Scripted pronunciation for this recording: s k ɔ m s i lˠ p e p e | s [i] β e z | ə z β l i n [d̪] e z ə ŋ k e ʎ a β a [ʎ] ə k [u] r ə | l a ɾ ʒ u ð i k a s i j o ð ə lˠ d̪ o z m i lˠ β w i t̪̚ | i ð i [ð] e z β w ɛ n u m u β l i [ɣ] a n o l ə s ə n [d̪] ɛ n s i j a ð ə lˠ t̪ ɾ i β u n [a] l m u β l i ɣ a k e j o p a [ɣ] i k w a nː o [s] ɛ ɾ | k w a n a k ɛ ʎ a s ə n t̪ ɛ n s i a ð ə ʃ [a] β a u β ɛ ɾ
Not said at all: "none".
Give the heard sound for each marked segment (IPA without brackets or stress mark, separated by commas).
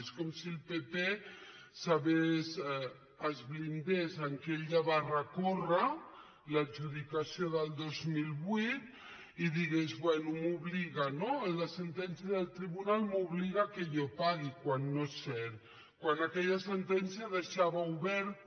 a, d̪, r, o, ɣ, ɣ, t̪, a, ɣ, s, a